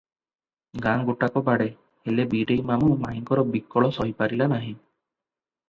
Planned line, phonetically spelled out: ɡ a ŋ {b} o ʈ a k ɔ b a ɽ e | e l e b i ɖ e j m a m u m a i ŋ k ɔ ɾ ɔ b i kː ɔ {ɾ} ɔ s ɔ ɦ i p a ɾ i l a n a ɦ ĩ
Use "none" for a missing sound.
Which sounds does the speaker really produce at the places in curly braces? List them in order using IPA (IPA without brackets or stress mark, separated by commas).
ɡ, ɭ